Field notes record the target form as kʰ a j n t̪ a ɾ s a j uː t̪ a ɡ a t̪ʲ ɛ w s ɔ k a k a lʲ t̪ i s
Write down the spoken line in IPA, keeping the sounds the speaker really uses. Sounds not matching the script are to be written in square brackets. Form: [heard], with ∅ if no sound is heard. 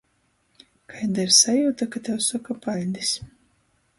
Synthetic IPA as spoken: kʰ a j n [d̪] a ɾ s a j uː t̪ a [k] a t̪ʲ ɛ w s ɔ k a [p] a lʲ [d̪] i s